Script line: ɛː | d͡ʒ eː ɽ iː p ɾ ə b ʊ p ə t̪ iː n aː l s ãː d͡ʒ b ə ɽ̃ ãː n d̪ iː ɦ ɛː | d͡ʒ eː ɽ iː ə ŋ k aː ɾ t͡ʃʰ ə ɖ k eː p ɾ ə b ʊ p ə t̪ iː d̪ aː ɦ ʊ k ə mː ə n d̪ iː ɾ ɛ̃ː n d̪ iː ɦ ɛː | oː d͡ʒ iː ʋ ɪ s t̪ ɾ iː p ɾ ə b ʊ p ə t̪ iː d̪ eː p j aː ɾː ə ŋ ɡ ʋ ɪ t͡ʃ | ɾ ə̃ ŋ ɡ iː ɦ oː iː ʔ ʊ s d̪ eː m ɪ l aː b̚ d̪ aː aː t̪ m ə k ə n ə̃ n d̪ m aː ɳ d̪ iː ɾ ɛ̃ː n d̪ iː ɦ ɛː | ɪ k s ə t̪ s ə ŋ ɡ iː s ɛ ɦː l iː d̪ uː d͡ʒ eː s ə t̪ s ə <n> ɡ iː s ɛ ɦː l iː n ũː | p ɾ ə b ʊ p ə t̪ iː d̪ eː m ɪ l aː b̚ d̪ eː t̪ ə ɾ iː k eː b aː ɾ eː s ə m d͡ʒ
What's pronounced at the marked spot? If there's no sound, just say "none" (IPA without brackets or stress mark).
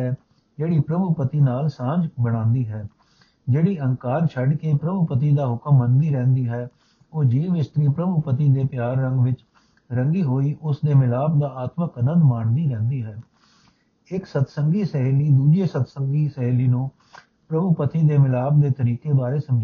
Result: ŋ